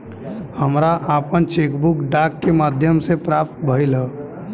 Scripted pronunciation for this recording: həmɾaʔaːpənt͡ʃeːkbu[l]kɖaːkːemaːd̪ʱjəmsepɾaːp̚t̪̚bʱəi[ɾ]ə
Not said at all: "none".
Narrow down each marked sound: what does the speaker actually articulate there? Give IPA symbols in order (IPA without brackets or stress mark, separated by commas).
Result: none, l